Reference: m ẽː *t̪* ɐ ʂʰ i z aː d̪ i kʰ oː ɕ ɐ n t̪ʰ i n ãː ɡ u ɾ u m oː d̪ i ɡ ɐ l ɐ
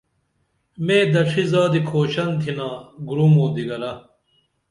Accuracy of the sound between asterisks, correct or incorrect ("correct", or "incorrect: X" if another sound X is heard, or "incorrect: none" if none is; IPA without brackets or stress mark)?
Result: incorrect: d̪